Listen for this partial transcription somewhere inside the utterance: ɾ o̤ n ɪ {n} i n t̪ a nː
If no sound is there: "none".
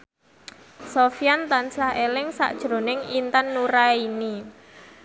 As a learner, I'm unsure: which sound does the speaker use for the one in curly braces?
ŋ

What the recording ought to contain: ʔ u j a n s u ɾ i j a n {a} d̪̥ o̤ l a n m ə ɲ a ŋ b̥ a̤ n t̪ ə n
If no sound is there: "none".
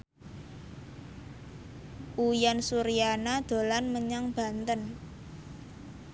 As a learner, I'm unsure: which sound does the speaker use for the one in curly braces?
a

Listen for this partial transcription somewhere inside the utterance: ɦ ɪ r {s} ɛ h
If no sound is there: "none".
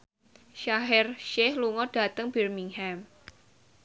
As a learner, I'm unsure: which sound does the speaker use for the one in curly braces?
ʃ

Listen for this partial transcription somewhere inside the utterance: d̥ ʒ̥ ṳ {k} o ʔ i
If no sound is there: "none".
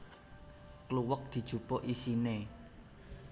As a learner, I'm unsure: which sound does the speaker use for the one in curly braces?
p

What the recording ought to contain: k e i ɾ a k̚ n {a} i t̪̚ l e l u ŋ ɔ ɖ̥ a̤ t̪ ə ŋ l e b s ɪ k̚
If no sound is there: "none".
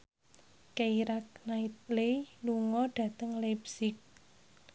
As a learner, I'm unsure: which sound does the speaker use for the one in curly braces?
a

